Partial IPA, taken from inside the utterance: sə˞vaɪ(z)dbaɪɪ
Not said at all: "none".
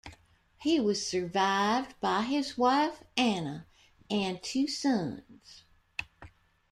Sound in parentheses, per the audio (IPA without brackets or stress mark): v